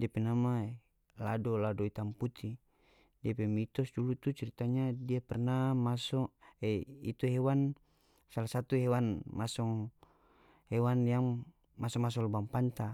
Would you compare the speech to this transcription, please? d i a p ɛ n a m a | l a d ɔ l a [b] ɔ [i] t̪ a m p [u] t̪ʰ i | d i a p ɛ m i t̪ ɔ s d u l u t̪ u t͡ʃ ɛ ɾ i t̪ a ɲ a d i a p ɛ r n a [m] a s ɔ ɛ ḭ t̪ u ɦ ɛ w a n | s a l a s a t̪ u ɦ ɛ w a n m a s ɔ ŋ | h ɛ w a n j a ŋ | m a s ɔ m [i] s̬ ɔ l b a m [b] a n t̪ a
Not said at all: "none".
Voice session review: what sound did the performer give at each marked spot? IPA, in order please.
d, i, u, m, a, p

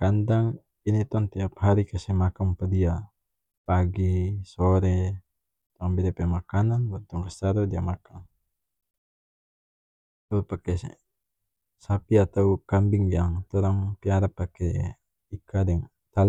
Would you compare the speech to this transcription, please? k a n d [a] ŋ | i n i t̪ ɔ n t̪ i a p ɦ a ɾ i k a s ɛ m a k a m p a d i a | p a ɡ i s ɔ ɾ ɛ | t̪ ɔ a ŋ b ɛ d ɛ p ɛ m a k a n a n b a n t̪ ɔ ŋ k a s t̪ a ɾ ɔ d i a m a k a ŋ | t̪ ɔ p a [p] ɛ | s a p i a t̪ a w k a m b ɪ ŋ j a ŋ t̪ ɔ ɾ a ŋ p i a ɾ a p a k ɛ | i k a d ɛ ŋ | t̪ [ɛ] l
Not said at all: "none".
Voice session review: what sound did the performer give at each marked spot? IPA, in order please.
a, k, a

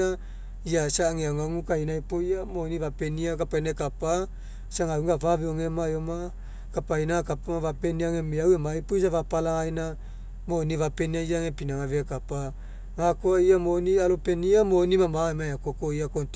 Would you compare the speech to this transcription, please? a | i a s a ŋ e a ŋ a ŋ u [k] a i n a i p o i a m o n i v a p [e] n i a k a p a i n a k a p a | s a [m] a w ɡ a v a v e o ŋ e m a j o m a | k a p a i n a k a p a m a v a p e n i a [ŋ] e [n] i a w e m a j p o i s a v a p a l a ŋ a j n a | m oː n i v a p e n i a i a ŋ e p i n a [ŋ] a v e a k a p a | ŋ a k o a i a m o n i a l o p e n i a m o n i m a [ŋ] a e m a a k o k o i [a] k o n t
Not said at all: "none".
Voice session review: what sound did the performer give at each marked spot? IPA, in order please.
k, e, ŋ, ŋ, m, ŋ, m, a

